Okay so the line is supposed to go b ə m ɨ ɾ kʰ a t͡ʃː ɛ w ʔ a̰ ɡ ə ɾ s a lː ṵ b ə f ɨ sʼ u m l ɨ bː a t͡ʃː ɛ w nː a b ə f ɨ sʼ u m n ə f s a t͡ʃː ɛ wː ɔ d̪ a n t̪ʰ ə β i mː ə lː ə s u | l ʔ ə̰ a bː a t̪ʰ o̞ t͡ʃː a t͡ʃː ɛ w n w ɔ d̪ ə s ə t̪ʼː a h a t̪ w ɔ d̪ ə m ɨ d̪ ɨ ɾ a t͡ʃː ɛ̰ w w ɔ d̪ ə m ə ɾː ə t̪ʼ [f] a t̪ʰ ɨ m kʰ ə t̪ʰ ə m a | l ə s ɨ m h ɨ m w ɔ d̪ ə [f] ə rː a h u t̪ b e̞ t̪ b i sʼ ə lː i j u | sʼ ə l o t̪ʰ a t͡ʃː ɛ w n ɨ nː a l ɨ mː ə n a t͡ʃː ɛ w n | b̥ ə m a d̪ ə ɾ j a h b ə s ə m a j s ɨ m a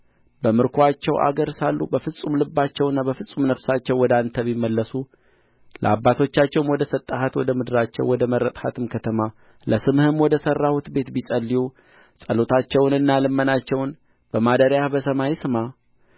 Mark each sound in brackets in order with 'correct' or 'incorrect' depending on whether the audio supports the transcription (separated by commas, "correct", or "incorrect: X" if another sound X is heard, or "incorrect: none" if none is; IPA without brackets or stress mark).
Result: incorrect: h, incorrect: s